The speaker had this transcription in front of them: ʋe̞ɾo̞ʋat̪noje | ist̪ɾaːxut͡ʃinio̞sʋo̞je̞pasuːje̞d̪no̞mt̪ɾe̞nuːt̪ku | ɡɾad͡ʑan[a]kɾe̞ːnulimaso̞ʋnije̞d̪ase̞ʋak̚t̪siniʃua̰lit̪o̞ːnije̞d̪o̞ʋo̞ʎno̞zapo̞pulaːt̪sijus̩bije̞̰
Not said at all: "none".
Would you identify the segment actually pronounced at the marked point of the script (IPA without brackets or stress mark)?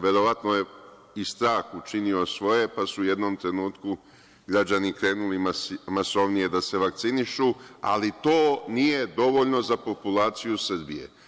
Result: i